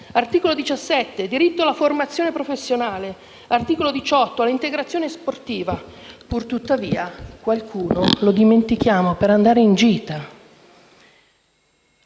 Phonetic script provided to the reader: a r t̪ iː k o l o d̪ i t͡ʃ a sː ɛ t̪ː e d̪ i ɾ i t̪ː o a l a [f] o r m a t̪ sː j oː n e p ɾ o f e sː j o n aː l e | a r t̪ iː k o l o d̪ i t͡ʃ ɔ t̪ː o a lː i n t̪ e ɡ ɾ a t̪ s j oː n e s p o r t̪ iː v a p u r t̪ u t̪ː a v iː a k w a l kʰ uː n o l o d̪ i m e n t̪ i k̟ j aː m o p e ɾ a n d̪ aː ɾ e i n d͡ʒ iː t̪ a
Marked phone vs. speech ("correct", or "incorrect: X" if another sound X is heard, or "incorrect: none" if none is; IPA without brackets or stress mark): correct